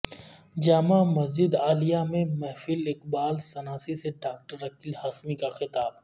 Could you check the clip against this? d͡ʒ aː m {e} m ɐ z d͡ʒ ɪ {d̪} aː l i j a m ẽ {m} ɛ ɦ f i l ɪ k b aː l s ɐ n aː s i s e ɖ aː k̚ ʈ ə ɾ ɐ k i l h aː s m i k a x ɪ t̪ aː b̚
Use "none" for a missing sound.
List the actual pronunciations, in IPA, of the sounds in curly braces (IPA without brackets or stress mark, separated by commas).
a, d̪, m